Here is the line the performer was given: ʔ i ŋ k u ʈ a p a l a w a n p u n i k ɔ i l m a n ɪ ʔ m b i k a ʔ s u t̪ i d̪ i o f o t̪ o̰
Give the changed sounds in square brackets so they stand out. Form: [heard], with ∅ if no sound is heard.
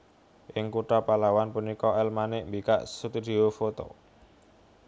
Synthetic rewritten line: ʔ [ɪ] ŋ k u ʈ a p a l a w a n p u n i k ɔ [ɛ] l m a n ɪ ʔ m b i k a ʔ s u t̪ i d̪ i o f o t̪ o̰